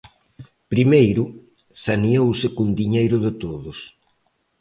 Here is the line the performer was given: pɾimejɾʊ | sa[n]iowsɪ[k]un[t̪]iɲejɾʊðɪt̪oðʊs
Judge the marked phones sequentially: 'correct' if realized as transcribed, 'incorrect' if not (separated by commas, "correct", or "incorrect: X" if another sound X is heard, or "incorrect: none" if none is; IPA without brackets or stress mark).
correct, correct, incorrect: d̪